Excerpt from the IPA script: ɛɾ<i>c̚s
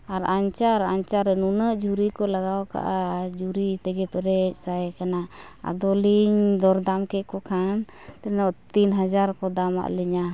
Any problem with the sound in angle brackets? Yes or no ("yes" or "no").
yes